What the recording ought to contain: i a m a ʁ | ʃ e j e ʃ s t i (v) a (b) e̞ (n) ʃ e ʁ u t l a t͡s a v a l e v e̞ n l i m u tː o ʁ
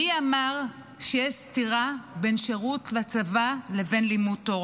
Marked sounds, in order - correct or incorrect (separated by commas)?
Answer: incorrect, correct, correct